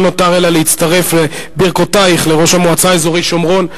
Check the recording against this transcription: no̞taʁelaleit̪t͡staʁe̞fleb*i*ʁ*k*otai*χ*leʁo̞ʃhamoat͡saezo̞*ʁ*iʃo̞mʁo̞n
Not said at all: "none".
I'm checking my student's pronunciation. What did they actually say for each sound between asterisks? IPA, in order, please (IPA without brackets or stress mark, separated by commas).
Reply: i, k, χ, ʁ